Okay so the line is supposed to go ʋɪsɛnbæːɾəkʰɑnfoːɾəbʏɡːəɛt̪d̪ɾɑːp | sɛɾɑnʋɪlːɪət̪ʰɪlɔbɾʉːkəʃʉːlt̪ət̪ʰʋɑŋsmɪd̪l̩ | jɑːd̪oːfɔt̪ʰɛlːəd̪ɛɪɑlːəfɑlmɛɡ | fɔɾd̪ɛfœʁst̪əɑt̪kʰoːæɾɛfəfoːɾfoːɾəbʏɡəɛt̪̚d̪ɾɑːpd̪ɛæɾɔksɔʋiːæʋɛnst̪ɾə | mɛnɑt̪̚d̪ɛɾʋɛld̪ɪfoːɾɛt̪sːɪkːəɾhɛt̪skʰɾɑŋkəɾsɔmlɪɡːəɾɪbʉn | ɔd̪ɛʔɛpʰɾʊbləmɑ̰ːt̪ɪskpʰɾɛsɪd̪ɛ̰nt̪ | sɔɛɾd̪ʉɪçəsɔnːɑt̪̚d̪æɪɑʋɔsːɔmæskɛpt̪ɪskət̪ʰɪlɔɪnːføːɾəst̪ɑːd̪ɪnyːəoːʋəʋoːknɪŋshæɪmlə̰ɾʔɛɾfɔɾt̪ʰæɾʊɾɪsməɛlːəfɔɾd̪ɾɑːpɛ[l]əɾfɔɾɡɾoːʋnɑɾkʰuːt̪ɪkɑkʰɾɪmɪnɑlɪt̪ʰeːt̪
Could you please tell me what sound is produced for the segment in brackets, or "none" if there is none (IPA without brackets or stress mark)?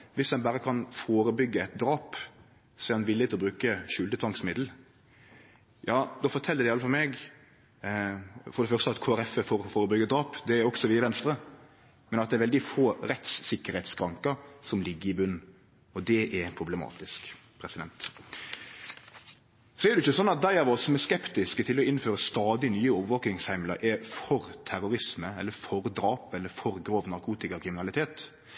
lː